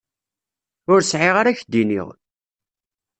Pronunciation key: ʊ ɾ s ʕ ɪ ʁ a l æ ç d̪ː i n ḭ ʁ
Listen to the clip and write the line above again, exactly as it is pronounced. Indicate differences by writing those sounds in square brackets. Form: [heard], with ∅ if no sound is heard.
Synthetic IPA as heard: ʊ ɾ s ʕ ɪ ʁ a [ɾ] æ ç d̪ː i n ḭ ʁ